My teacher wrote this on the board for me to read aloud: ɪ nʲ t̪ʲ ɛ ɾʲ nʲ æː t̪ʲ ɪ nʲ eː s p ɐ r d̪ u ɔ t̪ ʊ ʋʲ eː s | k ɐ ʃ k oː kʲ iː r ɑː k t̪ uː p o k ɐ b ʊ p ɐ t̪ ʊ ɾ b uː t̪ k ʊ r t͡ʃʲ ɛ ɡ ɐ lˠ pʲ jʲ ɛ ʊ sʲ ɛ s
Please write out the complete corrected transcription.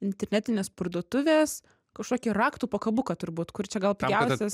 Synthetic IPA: ɪ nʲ t̪ʲ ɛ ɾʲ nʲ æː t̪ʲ ɪ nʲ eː s p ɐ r d̪ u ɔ t̪ ʊ ʋʲ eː s | k ɐ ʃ k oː kʲ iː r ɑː k t̪ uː p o k ɐ b ʊ k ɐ t̪ ʊ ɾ b uː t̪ k ʊ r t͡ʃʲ ɛ ɡ ɐ lˠ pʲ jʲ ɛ ʊ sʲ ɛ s